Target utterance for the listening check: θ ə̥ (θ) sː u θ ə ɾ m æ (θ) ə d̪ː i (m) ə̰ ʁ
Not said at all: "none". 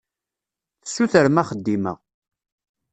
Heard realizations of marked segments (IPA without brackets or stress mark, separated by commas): none, χ, m